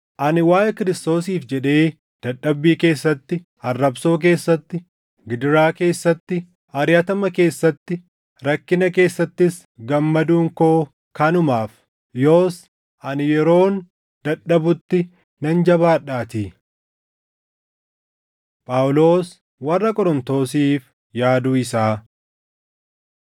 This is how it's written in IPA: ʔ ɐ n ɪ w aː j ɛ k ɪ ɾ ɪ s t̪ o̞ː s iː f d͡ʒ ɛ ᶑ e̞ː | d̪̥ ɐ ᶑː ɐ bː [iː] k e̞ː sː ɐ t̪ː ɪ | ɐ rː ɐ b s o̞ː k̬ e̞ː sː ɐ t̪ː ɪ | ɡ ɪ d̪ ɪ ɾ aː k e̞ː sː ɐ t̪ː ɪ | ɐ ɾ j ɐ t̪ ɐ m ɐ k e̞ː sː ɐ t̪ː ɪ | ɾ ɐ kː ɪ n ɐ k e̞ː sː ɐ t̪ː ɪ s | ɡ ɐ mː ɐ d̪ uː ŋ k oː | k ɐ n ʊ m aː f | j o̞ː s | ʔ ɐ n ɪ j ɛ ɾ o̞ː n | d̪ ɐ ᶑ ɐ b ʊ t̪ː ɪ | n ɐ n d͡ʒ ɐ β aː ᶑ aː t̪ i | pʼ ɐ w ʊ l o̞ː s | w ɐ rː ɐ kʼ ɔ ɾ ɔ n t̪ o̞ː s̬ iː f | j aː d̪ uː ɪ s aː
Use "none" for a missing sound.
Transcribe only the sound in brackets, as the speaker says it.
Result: iː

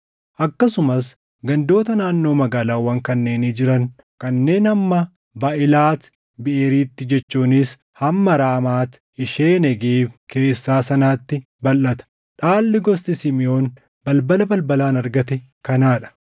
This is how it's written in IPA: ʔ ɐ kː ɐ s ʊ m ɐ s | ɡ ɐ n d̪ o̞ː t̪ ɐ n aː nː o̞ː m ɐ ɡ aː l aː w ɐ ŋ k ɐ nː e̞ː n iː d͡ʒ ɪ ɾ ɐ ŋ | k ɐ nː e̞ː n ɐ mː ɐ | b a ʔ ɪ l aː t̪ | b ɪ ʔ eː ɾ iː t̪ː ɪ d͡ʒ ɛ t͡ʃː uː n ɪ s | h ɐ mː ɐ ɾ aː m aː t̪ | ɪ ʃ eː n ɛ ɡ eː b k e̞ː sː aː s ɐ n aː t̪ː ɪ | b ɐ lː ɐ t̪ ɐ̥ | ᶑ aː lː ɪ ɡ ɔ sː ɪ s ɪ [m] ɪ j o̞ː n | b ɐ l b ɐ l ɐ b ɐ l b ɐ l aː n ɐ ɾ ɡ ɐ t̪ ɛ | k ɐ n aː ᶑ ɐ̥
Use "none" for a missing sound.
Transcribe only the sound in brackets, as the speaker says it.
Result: m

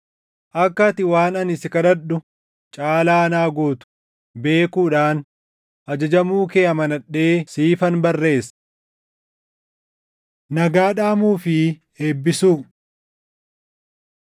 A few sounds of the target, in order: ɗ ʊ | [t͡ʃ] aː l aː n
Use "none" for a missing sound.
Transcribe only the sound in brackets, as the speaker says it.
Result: t͡ʃʼ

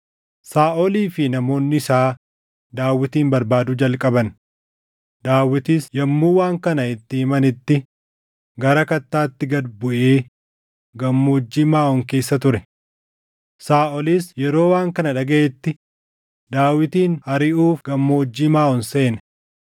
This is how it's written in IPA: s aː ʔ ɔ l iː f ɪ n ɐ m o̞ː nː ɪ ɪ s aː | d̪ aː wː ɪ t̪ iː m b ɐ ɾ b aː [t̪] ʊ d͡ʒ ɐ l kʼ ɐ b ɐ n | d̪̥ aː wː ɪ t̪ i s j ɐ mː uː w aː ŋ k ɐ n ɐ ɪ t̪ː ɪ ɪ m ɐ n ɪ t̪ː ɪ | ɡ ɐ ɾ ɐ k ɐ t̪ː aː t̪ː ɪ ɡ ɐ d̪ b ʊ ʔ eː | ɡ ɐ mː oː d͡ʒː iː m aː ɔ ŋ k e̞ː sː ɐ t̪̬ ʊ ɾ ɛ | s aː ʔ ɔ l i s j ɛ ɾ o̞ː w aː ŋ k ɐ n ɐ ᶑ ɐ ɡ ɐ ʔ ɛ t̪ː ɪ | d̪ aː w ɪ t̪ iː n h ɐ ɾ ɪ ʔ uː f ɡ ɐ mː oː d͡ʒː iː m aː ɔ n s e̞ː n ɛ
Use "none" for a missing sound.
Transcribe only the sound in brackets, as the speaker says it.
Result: d̪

